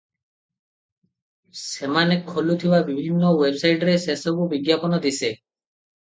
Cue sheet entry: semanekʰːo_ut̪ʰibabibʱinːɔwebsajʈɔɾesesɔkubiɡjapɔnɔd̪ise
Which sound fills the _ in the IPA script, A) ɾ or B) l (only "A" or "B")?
B